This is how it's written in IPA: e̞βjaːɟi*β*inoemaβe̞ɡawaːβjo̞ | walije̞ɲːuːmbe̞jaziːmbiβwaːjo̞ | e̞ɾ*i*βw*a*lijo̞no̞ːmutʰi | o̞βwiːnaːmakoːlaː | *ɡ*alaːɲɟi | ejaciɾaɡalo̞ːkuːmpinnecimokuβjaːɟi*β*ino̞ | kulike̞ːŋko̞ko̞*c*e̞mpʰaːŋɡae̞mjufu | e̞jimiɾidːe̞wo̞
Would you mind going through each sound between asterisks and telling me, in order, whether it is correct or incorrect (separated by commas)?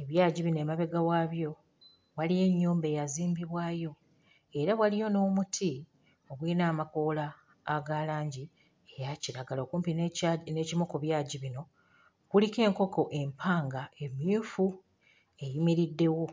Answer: correct, incorrect, correct, correct, correct, incorrect